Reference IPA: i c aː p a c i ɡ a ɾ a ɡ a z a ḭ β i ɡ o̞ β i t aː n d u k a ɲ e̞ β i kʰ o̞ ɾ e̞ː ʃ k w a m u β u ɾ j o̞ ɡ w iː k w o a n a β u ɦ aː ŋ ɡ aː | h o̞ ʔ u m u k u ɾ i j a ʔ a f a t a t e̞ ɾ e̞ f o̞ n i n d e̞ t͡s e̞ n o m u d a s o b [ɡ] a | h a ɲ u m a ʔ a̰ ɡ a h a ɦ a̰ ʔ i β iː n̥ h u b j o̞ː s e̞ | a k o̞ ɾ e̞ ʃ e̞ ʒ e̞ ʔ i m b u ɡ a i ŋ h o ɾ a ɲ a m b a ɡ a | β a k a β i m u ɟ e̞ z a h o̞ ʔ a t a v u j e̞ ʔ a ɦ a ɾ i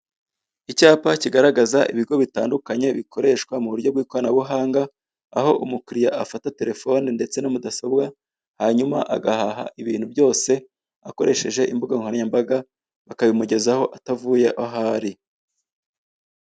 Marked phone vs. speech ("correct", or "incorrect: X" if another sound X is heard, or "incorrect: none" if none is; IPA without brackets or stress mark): correct